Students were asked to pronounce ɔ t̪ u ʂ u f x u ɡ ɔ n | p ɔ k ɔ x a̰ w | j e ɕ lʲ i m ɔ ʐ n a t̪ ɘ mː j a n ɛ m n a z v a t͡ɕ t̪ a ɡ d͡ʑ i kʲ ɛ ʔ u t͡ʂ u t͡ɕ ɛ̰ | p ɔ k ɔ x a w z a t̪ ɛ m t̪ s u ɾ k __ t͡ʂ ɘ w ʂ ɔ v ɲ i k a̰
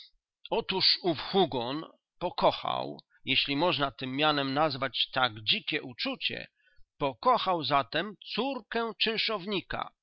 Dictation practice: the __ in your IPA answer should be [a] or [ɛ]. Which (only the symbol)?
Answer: ɛ